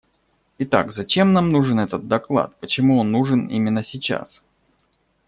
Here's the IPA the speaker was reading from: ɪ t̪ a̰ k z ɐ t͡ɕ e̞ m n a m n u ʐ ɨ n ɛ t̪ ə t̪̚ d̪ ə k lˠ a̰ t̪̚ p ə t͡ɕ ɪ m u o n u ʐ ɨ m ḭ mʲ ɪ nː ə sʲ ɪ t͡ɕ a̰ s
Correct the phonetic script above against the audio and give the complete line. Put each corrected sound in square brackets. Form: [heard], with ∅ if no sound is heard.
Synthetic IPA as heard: ɪ t̪ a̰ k z ɐ t͡ɕ e̞ m n a m n u ʐ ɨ n ɛ t̪ ə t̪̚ d̪ [ɐ] k lˠ a̰ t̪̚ p ə t͡ɕ ɪ m u o [nː] u ʐ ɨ [n] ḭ mʲ ɪ nː ə sʲ ɪ t͡ɕ a̰ s